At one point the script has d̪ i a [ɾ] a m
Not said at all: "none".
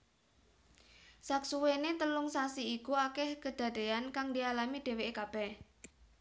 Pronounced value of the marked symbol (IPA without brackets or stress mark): l